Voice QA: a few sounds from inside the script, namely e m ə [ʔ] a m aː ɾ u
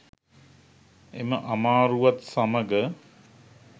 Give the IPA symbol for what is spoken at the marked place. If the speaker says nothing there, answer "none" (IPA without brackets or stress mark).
ʔ